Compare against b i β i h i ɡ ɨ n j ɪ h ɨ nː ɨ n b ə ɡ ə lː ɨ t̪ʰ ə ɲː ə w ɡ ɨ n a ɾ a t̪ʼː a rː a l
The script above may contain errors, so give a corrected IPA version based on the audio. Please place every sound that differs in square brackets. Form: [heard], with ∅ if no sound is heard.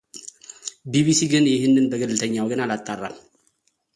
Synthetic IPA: b i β i [s] i ɡ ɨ n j ɪ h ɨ nː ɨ n b ə ɡ ə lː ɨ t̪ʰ ə ɲː [a] w ɡ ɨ n a [l] a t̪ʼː a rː a l